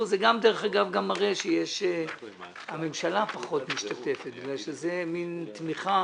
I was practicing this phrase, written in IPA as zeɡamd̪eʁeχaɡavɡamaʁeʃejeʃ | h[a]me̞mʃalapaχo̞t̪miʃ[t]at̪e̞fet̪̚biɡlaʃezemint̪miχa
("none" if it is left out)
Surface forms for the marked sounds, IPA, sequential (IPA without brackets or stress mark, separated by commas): a, t